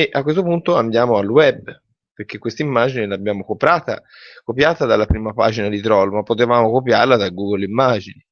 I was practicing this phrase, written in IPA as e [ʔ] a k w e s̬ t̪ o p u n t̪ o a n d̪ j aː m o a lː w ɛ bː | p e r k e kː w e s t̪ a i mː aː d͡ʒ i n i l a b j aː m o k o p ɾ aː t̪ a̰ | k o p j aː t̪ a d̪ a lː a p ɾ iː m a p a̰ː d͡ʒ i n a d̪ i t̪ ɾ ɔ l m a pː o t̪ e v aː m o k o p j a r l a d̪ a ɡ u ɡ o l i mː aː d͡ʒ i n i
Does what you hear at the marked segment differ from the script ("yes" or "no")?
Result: no